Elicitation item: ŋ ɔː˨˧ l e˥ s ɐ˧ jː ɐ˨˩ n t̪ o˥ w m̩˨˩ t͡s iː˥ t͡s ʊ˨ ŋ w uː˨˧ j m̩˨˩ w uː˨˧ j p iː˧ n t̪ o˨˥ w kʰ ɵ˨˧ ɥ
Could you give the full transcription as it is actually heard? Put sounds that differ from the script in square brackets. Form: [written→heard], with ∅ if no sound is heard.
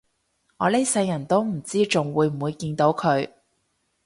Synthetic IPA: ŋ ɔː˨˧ l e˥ s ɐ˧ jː ɐ˨˩ n t̪ o˥ w m̩˨˩ t͡s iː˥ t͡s ʊ˨ ŋ w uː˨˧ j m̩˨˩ w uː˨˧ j [p→k] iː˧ n t̪ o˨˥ w kʰ ɵ˨˧ ɥ